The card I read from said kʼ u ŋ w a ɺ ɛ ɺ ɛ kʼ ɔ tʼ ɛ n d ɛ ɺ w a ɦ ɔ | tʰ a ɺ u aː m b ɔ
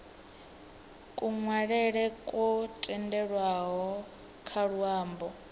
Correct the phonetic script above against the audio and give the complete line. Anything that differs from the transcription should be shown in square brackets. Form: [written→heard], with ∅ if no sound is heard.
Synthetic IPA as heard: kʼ u ŋ w a ɺ ɛ ɺ ɛ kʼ ɔ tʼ ɛ n d ɛ ɺ w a ɦ ɔ | [tʰ→kʰ] a ɺ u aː m b ɔ